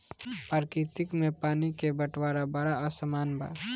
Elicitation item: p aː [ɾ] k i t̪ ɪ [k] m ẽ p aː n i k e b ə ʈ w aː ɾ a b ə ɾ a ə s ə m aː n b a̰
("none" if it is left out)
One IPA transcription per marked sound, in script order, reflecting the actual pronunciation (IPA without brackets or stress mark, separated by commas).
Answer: ɾ, k